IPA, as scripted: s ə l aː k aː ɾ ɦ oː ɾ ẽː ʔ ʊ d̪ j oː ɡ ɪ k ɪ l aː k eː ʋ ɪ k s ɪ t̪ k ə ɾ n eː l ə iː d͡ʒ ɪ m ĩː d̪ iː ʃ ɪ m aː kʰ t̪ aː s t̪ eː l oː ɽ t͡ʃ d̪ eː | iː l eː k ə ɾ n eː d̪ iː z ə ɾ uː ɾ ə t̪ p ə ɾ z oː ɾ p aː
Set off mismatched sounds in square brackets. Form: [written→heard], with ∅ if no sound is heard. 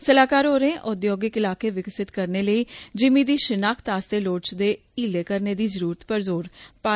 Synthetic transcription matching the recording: s ə l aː k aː ɾ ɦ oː ɾ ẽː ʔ ʊ d̪ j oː ɡ ɪ k ɪ l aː k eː ʋ ɪ k s ɪ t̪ k ə ɾ n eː l ə iː d͡ʒ ɪ m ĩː d̪ iː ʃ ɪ [m→n] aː kʰ t̪ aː s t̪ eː l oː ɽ t͡ʃ d̪ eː | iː l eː k ə ɾ n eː d̪ iː z ə ɾ uː ɾ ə t̪ p ə ɾ z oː ɾ p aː